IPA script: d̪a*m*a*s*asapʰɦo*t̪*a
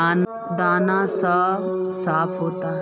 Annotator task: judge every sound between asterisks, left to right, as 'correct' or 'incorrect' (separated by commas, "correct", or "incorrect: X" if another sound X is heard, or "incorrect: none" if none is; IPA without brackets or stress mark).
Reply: incorrect: n, correct, correct